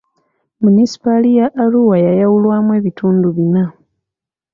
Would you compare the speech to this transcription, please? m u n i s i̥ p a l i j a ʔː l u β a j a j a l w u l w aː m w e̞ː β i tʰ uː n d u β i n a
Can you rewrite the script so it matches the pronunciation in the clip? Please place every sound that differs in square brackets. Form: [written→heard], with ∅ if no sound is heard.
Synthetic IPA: m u n i s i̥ p a l i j a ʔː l u [β→w] a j a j a [l→∅] w u l w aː m w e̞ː β i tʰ uː n d u β i n a